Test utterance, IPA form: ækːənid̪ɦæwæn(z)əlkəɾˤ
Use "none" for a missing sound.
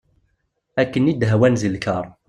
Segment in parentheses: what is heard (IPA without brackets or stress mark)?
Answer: z